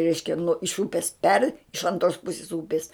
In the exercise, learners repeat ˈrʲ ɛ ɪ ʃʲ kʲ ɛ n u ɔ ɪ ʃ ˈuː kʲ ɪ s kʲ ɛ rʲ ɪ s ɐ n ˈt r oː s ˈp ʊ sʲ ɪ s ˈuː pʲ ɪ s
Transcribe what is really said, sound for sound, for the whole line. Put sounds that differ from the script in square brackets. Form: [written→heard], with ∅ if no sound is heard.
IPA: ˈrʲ ɛ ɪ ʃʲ kʲ ɛ n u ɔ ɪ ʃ ˈuː [kʲ→pʲ] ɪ s [kʲ→pʲ] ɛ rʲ ɪ [s→ʃ] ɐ n ˈt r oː s ˈp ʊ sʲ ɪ s ˈuː pʲ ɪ s